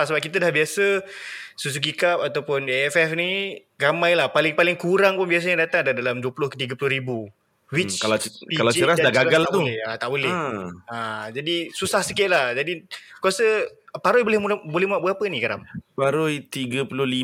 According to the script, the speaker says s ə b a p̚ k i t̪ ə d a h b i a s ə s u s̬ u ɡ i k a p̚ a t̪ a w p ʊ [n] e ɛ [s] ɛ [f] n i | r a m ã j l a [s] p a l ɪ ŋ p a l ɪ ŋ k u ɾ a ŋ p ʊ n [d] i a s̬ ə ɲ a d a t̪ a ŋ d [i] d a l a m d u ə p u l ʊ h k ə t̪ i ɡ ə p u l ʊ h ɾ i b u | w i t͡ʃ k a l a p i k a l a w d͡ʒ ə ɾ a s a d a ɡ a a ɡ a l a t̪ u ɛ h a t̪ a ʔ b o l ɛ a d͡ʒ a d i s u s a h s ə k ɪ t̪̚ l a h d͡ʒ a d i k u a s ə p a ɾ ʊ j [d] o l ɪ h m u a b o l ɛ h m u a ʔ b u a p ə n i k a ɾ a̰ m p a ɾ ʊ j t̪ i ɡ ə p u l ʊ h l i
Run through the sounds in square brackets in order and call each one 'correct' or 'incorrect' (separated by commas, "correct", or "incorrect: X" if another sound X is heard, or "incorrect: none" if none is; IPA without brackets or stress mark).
correct, incorrect: f, correct, incorrect: h, incorrect: b, incorrect: a, incorrect: b